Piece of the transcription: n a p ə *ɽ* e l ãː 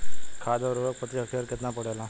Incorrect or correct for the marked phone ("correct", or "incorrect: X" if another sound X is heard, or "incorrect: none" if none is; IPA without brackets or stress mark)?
correct